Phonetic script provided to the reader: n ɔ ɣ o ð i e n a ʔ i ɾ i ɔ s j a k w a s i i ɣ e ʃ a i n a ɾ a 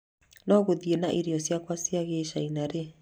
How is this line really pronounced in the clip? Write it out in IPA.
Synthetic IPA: n ɔ ɣ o ð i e n a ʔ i ɾ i ɔ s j a k w a s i a ɣ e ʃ a i n a ɾ e